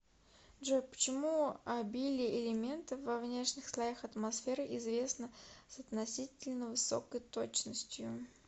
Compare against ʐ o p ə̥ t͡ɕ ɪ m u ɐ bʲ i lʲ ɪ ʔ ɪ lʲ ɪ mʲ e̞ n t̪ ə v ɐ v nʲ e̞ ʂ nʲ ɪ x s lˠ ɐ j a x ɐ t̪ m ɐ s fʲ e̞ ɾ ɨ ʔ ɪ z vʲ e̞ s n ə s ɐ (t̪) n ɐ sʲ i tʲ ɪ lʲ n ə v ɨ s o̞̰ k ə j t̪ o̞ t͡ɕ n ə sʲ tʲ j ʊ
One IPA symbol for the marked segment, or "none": t̪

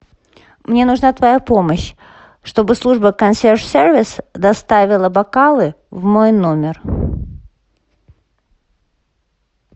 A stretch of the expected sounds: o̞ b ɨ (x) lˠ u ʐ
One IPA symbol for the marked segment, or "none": s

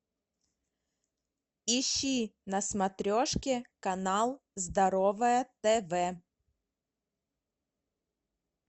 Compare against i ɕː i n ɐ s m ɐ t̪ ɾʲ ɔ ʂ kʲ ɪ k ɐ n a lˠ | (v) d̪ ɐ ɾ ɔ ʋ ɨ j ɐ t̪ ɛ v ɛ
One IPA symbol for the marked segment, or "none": z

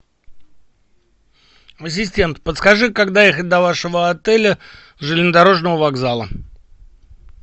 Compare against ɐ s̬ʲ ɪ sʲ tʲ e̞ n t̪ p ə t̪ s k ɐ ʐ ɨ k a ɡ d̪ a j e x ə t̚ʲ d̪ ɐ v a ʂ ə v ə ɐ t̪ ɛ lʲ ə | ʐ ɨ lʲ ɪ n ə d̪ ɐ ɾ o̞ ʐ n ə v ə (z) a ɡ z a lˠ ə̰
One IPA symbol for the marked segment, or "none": v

